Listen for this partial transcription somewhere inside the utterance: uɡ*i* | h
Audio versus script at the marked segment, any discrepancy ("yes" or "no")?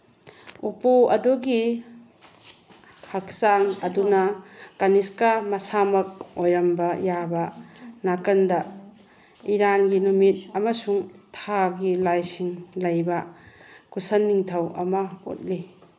no